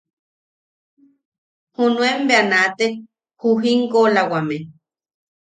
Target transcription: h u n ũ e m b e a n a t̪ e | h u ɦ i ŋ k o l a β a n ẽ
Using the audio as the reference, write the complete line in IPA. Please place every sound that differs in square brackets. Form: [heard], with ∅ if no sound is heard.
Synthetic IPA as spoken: h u n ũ e m b e a n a t̪ e | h u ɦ i ŋ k o l a [w] a [m] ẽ